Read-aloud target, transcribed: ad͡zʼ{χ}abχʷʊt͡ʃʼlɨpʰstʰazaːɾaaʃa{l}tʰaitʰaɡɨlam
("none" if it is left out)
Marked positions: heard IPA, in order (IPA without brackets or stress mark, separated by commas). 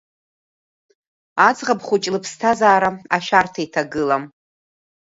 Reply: ʁ, r